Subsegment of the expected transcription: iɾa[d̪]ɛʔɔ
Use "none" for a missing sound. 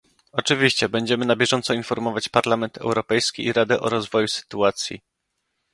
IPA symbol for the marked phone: d̪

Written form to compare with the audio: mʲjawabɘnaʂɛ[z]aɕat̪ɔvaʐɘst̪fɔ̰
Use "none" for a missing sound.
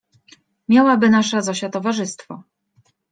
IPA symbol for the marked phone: z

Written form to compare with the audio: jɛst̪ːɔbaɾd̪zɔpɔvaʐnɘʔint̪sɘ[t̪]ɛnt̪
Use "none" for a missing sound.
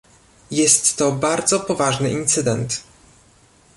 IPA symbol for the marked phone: d̪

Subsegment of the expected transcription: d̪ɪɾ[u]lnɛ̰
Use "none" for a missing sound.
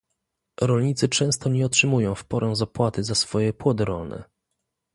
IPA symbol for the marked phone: ɔ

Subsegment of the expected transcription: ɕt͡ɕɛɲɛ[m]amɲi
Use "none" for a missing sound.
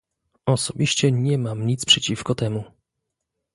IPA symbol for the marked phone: m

